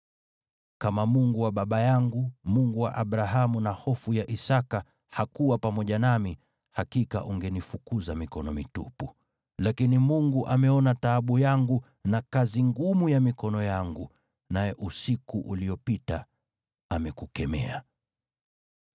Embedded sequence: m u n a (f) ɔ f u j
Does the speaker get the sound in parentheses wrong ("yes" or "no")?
yes